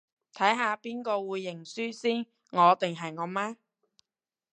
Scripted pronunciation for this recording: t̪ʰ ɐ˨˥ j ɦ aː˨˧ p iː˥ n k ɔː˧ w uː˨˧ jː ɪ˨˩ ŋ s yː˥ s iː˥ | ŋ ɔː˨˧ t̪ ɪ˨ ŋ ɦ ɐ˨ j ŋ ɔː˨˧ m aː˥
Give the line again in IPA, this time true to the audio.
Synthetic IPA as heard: t̪ʰ ɐ˨˥ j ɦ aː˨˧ p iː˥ n k ɔː˧ w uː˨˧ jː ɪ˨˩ ŋ s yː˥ s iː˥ | ŋ ɔː˨˧ t̪ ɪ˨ ŋ ɦ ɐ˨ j ŋ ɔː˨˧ m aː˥